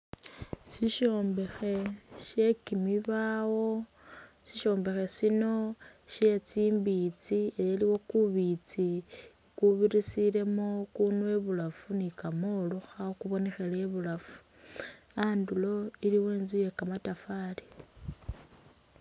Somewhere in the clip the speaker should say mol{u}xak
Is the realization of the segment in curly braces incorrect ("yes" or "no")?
no